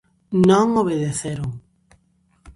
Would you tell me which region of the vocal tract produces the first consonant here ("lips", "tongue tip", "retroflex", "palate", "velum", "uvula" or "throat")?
tongue tip